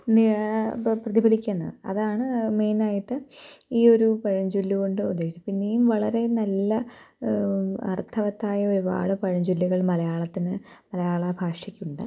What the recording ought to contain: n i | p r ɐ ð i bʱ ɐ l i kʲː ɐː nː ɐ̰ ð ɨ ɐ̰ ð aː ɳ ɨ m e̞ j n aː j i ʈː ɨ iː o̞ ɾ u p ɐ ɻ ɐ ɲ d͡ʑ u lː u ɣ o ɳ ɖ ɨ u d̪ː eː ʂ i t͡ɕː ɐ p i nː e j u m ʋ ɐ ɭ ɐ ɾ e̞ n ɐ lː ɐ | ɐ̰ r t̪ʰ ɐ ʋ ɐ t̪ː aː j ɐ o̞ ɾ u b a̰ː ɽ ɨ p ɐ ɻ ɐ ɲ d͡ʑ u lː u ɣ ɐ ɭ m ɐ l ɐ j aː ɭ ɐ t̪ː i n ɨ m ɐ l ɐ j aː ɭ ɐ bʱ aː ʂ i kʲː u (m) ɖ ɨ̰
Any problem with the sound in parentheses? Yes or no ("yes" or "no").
yes